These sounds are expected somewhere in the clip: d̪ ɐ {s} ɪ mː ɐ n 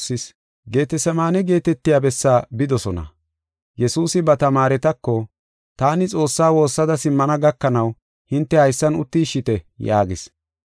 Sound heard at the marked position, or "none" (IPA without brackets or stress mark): s